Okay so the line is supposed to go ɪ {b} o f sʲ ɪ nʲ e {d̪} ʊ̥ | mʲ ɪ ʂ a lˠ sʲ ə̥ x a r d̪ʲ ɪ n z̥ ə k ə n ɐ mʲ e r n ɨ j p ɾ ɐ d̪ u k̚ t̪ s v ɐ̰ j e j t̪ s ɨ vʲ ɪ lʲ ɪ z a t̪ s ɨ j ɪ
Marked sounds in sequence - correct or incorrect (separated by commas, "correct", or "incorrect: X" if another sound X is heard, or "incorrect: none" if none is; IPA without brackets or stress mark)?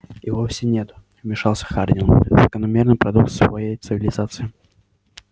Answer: incorrect: v, incorrect: t̪